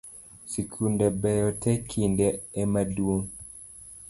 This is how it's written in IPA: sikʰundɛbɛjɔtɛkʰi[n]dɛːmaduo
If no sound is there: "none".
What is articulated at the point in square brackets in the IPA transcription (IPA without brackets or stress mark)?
n